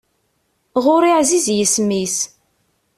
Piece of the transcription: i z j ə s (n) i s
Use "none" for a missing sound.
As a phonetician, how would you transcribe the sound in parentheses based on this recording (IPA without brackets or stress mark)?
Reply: m